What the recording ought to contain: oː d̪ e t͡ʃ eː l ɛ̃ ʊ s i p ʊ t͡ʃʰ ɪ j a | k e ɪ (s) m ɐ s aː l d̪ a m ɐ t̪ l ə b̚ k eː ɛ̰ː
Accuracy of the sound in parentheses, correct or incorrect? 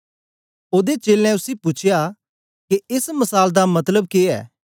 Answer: correct